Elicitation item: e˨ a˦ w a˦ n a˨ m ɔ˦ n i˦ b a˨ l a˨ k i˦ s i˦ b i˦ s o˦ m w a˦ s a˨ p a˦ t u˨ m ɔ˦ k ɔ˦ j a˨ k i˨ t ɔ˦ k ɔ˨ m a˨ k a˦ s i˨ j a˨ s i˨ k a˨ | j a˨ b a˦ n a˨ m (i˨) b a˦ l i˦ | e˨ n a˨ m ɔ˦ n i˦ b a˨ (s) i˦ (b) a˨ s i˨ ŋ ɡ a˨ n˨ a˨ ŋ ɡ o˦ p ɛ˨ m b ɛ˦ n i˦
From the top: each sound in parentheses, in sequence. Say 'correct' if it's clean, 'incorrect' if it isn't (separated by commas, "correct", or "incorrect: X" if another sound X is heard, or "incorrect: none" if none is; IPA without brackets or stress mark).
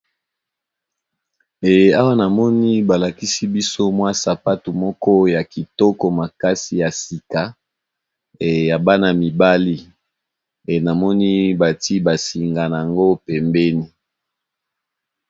correct, incorrect: t, correct